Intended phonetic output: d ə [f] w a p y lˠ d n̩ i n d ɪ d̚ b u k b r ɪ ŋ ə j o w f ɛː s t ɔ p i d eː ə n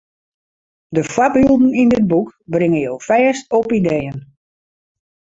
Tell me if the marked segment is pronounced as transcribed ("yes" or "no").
yes